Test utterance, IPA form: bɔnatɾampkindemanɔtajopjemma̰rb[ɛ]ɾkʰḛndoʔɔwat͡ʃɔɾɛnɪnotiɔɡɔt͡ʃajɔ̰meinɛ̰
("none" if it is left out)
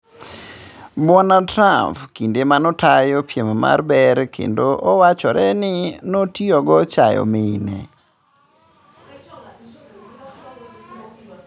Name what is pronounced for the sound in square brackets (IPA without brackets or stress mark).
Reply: ɛ